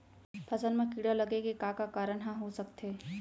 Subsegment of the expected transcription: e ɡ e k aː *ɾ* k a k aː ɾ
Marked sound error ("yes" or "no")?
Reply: yes